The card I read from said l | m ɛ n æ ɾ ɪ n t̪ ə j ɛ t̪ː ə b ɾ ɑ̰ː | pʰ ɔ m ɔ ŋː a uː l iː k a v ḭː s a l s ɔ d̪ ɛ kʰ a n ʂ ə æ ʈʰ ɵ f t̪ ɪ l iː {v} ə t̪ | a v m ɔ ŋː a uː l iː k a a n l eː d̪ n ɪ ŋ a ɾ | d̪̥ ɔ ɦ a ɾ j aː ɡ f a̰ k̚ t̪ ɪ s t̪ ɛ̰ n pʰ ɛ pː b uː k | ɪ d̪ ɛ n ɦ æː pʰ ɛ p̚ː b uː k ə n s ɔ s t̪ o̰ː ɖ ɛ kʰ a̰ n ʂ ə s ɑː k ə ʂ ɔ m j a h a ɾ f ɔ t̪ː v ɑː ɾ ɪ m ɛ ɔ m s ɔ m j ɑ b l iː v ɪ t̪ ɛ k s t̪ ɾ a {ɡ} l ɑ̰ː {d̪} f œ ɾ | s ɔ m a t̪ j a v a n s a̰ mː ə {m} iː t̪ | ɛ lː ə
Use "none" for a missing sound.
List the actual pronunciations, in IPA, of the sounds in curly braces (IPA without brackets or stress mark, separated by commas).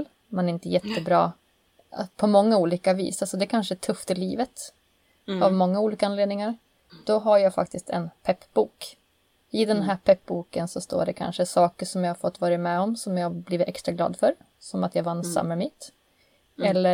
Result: v, ɡ, d̪, m